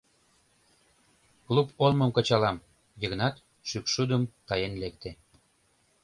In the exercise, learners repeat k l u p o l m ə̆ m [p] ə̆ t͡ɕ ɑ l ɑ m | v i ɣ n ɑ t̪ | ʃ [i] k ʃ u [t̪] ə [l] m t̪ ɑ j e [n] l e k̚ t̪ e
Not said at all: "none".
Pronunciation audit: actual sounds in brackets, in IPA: k, y, d̪, none, n

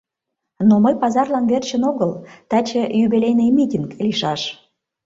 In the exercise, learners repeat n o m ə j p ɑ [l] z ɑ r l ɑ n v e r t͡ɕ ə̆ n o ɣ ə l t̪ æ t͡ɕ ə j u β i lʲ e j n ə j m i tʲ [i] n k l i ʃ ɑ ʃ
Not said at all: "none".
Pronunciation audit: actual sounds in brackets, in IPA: none, i

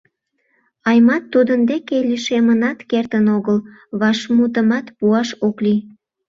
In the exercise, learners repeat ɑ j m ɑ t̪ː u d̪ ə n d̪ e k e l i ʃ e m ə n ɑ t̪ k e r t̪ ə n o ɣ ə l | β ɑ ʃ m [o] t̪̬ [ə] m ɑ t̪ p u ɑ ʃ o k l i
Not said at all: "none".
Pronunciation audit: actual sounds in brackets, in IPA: u, ə

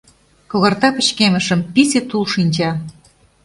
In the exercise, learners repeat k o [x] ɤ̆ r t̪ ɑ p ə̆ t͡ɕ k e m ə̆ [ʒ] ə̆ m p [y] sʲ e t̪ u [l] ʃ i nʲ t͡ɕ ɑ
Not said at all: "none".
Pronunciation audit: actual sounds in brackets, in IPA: ɣ, ʃ, i, l

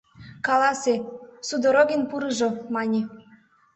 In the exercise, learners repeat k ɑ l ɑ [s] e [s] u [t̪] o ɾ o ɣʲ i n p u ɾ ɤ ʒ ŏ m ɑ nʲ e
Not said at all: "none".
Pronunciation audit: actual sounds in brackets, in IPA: s, s, d̪

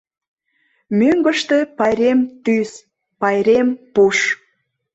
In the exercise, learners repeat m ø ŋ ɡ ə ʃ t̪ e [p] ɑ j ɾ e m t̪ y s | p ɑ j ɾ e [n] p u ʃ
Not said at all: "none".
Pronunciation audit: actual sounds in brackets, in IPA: p, m

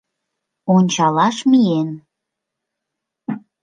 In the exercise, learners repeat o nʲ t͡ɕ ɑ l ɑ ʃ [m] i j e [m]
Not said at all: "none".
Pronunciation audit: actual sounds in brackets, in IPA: m, n

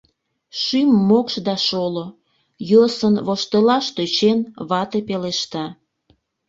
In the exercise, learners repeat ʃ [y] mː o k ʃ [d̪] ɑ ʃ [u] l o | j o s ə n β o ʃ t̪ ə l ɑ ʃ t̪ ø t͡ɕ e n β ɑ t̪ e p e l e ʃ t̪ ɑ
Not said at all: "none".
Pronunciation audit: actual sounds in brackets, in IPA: y, d̪, o

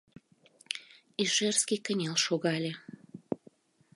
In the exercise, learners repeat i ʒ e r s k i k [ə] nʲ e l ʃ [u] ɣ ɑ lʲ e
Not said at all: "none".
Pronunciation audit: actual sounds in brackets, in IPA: ə, o

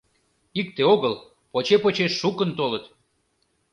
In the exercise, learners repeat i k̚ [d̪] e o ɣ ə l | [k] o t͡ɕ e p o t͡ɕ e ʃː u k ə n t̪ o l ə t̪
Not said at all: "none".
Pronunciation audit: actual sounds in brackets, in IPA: t̪, p

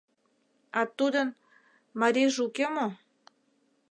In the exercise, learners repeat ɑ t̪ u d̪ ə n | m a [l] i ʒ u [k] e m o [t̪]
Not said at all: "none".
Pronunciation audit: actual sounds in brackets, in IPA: ɾ, k, none

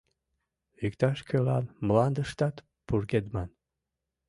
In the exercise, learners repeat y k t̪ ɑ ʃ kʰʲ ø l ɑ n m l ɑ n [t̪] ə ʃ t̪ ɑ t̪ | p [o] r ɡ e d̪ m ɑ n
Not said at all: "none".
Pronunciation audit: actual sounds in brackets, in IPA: d̪, u

